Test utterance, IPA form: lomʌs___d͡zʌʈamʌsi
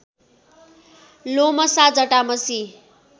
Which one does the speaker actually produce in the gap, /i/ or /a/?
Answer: a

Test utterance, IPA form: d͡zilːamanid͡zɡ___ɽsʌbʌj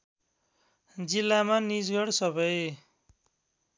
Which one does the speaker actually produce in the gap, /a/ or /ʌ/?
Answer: ʌ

